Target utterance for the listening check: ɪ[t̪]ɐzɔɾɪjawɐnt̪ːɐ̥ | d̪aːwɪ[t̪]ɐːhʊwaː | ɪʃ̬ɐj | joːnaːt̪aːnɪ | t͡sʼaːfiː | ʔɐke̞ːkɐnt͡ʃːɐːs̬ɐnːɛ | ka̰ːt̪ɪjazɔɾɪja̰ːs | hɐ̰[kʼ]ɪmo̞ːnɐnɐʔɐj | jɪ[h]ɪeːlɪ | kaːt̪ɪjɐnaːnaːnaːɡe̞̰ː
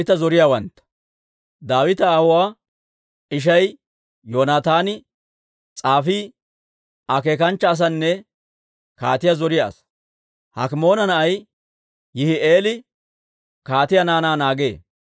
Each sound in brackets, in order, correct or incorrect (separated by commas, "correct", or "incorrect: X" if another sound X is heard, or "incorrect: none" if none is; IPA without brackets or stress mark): correct, correct, incorrect: k, correct